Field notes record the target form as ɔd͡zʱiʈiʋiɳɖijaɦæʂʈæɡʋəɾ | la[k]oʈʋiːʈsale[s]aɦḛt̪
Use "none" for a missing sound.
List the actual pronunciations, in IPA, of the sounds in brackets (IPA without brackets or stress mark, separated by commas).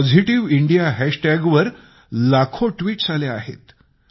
kʰ, none